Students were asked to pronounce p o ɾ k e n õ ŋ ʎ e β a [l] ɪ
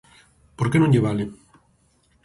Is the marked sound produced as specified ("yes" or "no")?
yes